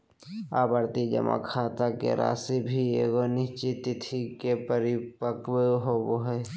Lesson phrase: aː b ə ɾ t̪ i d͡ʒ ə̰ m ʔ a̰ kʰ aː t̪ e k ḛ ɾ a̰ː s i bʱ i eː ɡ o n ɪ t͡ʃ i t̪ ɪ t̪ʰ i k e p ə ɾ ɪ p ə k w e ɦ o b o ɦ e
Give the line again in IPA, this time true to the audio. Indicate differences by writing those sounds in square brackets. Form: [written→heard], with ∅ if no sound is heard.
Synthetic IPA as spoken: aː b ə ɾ t̪ i d͡ʒ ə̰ m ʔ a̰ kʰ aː t̪ [e→a] k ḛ ɾ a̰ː s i bʱ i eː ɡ o n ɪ t͡ʃ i t̪ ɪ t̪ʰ i k e p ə ɾ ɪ p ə k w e ɦ o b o ɦ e